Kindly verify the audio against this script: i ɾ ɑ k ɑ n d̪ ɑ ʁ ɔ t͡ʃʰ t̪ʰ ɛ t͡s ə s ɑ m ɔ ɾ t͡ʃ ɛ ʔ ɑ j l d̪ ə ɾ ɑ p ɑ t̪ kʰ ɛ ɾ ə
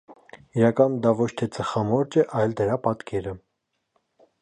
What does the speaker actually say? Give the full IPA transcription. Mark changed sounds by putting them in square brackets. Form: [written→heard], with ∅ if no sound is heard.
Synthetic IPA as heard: i ɾ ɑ k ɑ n d̪ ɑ [ʁ→v] ɔ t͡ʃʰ t̪ʰ ɛ t͡s ə [s→χ] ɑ m ɔ ɾ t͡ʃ ɛ ʔ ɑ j l d̪ ə ɾ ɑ p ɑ t̪ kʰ ɛ ɾ ə